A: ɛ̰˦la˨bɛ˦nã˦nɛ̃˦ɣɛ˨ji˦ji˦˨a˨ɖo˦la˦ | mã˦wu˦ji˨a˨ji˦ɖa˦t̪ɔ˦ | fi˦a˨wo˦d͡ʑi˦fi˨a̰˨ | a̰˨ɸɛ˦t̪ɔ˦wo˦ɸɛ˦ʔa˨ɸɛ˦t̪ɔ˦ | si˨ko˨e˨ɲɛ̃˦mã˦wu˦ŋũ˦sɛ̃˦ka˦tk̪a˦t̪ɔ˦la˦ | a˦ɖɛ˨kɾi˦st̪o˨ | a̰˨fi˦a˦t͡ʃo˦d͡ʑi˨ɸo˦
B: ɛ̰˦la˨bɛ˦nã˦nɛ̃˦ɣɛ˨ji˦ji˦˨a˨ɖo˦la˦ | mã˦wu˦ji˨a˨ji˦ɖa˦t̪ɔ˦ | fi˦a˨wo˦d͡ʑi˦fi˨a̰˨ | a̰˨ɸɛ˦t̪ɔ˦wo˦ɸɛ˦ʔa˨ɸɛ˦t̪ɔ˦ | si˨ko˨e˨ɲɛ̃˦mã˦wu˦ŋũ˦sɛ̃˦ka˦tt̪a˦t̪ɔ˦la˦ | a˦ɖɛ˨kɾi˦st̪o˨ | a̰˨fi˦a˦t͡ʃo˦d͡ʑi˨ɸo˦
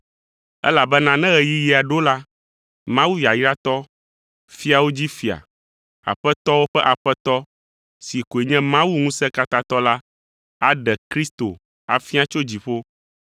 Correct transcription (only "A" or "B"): A